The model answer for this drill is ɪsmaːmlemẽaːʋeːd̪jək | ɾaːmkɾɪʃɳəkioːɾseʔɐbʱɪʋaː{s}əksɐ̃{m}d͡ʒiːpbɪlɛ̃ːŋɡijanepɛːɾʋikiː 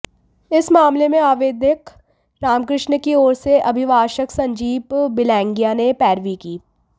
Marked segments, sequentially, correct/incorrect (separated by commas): incorrect, incorrect